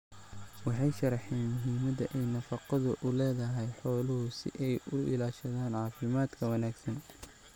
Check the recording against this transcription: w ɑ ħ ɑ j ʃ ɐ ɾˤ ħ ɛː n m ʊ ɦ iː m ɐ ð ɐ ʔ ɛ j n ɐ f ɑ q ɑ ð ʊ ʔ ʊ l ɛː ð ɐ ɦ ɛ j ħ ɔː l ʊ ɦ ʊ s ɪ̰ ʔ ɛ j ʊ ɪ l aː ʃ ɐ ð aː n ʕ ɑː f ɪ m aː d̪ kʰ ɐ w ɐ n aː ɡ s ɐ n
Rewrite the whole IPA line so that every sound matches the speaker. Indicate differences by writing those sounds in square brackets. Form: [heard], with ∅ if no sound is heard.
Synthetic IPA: w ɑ ħ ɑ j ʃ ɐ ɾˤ ħ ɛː n m ʊ ɦ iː m ɐ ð ɐ ʔ ɛ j n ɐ f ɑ q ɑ ð ʊ ʔ ʊ l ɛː ð ɐ ɦ ɛ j ħ ɔː l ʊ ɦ ʊ s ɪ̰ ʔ ɛ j ʊ ɪ l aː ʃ ɐ ð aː n ʕ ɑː f ɪ m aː d̪ kʰ ɐ w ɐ n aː ɡ s ɐ n